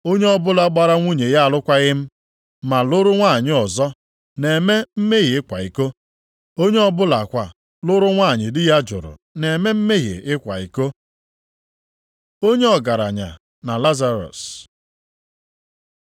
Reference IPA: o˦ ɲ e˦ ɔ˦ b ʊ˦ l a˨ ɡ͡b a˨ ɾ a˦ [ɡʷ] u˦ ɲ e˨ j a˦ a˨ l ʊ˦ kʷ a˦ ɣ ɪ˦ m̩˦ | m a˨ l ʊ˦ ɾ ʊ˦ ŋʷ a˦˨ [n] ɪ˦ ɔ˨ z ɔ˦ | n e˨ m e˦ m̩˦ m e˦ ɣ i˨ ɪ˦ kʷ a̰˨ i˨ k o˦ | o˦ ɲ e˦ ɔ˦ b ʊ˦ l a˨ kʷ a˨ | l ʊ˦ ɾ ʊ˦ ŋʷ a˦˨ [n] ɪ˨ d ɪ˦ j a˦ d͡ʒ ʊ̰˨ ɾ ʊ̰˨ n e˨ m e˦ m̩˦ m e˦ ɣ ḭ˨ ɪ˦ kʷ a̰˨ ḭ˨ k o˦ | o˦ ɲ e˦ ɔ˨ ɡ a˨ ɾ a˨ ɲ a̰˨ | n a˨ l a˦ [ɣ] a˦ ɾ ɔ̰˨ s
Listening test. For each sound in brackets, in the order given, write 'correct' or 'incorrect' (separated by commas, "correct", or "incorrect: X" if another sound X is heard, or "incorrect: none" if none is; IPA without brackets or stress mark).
incorrect: ŋʷ, incorrect: ɲ, incorrect: ɲ, incorrect: z